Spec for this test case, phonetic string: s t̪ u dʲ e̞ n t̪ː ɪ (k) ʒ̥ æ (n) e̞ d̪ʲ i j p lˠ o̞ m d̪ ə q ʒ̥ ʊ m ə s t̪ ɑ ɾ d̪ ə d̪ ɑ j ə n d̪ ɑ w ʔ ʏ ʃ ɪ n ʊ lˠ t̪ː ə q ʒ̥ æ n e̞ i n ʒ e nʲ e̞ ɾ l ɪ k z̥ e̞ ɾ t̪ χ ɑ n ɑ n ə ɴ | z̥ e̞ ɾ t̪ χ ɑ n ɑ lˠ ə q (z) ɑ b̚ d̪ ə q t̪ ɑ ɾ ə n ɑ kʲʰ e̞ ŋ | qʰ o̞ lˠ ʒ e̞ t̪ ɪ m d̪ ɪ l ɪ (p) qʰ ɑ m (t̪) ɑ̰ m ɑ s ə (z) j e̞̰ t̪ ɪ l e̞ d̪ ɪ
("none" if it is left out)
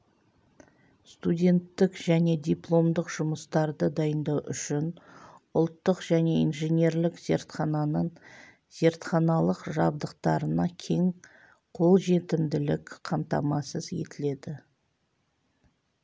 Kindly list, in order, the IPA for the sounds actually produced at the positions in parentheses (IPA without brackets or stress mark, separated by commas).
k, n, ʒ, k, t̪, z